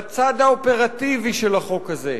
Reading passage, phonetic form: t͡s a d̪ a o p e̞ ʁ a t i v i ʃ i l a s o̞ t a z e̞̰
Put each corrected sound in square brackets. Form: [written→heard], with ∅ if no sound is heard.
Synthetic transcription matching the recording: t͡s a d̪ a o p e̞ ʁ a t i v i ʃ [i→e] l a [s→χ] o̞ [t→k] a z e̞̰